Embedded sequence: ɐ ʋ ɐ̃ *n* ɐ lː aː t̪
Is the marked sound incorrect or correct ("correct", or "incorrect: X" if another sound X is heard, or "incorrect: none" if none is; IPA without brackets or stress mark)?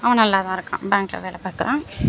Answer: correct